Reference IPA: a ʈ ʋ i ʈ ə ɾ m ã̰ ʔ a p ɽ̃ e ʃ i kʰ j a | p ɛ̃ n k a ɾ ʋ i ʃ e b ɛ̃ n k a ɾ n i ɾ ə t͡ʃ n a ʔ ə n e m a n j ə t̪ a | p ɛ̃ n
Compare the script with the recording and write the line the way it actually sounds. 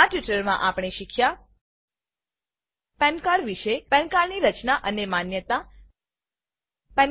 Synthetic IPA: a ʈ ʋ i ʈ ə ɾ m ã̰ ʔ a p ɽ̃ e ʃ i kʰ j a | p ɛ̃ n k a ɾ ʋ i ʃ e p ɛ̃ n k a ɾ n i ɾ ə t͡ʃ n a ʔ ə n e m a n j ə t̪ a | p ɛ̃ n